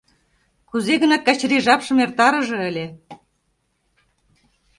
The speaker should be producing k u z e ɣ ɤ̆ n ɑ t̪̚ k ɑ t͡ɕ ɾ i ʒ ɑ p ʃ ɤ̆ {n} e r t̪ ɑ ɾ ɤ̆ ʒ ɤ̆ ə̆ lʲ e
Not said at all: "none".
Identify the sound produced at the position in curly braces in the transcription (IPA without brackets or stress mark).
m